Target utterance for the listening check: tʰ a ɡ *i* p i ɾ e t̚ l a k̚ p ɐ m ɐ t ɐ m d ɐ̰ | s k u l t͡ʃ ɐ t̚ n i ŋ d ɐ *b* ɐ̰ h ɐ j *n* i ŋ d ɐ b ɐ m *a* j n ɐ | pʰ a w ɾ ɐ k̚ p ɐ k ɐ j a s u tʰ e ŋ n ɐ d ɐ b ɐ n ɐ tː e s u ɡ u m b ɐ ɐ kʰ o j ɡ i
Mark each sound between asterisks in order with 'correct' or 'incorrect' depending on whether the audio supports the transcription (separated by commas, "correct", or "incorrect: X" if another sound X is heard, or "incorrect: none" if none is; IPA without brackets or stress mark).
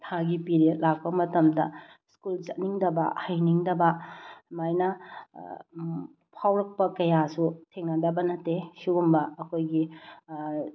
correct, correct, correct, correct